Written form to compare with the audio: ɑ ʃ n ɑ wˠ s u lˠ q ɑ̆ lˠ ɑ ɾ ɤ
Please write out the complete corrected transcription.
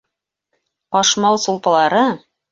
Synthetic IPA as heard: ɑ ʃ m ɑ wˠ s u lˠ p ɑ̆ lˠ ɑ ɾ ɤ